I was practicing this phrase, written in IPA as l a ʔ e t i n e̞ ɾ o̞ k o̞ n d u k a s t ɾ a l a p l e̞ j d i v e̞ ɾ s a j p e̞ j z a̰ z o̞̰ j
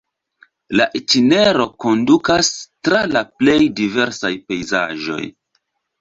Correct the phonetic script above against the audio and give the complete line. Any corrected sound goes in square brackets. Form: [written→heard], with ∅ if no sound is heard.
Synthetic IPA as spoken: l a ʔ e t i n e̞ ɾ o̞ k o̞ n d u k a s t ɾ a l a p l e̞ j d i v e̞ ɾ s a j p e̞ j z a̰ [z→ʒ] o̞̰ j